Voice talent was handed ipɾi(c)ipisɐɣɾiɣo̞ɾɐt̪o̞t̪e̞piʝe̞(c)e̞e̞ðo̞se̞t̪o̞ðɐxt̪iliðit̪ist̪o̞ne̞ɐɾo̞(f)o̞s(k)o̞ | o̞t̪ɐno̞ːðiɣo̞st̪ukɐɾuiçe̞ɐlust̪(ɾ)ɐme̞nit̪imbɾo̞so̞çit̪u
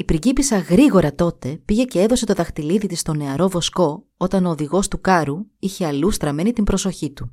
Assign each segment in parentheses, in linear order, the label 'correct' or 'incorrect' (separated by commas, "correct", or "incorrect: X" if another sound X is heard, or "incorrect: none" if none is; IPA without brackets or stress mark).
incorrect: ɟ, correct, incorrect: v, correct, correct